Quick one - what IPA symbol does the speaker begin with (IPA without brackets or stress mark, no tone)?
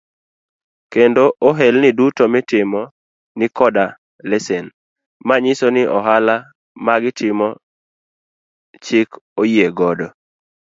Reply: k